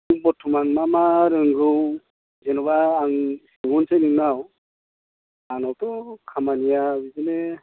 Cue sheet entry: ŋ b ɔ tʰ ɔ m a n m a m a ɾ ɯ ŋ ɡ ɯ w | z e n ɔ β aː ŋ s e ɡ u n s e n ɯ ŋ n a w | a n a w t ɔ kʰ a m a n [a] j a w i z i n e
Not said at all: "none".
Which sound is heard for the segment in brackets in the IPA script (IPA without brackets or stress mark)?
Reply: i